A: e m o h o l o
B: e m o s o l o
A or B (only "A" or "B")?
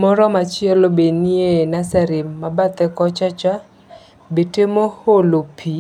A